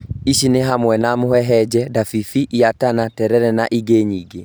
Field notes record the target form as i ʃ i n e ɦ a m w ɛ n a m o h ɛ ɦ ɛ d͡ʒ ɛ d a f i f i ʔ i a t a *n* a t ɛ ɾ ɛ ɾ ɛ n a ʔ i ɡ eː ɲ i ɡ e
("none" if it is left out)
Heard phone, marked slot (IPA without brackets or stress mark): n